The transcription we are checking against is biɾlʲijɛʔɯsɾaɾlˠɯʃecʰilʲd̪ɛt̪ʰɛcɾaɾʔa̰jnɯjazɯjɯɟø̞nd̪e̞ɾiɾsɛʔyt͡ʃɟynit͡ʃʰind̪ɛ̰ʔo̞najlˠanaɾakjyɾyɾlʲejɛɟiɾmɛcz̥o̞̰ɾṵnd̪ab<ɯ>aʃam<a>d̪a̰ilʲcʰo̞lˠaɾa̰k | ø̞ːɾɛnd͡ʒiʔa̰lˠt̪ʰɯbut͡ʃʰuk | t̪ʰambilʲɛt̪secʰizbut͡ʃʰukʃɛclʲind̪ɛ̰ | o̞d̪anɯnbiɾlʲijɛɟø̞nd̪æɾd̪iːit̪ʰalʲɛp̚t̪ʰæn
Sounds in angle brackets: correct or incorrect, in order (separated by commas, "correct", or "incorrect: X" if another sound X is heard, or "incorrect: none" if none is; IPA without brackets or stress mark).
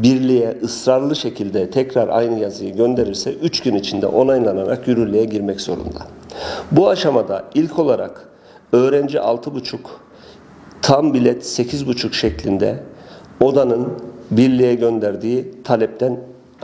incorrect: u, correct